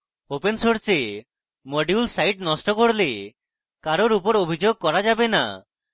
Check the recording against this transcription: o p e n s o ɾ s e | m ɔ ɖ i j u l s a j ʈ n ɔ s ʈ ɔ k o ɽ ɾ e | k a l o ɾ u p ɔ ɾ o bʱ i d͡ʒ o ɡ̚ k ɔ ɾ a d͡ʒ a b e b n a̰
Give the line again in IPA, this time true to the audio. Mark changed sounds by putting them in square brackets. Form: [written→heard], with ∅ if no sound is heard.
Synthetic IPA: o p e n s o ɾ s e | m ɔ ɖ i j u l s a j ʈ n ɔ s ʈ ɔ k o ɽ [ɾ→l] e | k a [l→ɾ] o ɾ u p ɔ ɾ o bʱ i d͡ʒ o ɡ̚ k ɔ ɾ a d͡ʒ a b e [b→∅] n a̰